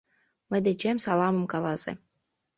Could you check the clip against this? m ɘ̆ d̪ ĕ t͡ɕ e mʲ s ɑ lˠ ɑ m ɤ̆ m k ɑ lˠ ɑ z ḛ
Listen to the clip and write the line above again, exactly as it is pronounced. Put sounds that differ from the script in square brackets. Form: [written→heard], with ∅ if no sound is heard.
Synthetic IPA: m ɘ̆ d̪ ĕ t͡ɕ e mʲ s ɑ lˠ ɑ m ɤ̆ m k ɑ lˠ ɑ z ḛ